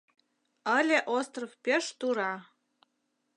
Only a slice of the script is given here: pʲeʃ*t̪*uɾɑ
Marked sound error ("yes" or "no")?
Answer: no